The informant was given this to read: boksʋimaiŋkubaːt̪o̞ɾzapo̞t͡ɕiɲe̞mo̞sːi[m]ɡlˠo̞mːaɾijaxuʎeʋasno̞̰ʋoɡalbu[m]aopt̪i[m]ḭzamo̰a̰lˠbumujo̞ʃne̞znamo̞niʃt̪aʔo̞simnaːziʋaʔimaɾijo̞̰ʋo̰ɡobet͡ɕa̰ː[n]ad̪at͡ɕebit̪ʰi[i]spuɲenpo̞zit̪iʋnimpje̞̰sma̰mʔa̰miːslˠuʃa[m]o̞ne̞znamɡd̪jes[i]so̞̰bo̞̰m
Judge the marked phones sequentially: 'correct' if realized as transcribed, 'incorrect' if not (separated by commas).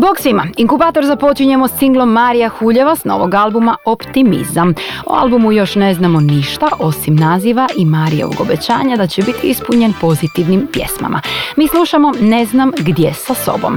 incorrect, correct, correct, incorrect, correct, correct, incorrect